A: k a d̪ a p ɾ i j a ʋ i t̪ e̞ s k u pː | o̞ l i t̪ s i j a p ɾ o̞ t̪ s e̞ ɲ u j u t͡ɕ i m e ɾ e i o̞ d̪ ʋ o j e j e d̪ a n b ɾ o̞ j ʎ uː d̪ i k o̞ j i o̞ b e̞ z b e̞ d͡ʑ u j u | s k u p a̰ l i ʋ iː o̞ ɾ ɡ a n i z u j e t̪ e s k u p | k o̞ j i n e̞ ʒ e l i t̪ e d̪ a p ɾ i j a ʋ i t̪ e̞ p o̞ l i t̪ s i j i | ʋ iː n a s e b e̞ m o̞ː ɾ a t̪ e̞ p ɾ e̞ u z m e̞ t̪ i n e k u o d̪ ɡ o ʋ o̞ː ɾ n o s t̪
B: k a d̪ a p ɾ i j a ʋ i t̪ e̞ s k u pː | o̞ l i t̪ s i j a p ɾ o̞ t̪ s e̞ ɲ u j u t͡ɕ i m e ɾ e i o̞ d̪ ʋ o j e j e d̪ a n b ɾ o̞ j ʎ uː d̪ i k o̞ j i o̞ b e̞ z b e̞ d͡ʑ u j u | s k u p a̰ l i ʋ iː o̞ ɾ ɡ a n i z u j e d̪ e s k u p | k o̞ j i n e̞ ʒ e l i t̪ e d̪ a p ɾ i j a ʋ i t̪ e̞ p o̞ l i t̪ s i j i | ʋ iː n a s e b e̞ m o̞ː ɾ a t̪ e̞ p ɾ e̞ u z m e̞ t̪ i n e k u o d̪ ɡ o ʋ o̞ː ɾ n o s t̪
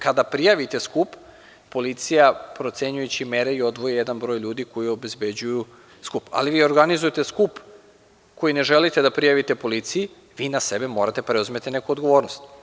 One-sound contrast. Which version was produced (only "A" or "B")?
A